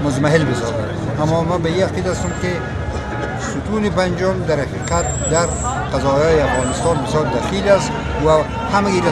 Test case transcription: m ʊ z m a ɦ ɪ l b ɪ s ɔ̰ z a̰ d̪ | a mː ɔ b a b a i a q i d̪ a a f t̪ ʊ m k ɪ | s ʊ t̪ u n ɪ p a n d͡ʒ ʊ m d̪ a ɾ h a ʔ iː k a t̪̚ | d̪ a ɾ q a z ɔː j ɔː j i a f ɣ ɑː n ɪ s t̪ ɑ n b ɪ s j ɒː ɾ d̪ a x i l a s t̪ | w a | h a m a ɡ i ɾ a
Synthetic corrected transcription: m ʊ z m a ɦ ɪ l b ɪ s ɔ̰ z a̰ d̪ | a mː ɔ m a b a i a q i d̪ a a s t̪ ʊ m k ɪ | s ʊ t̪ u n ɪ p a n d͡ʒ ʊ m d̪ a ɾ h a q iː q a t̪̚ | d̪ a ɾ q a z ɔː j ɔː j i a f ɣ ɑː n ɪ s t̪ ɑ n b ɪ s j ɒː ɾ d̪ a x i l a s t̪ | w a | h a m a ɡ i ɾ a